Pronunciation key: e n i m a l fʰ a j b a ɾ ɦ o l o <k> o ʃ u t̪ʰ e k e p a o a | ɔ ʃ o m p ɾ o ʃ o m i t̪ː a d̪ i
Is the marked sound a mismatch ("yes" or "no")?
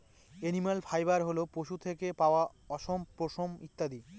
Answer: yes